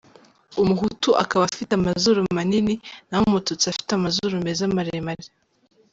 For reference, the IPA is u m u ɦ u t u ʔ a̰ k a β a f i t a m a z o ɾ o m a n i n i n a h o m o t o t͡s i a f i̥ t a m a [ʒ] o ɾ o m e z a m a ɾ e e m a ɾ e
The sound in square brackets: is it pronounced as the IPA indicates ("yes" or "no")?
no